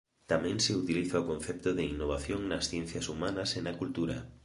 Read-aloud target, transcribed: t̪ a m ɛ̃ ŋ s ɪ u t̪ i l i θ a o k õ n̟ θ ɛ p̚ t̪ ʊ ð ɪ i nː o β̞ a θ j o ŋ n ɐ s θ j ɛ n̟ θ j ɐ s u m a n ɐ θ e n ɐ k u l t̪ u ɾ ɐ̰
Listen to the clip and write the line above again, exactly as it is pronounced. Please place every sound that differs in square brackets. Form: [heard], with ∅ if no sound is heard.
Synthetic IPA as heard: t̪ a m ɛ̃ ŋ s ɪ u t̪ i l i θ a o k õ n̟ θ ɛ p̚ t̪ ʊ ð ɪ i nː o β̞ a θ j o ŋ n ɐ s θ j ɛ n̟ θ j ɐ s u m a n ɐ [s] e n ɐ k u l t̪ u ɾ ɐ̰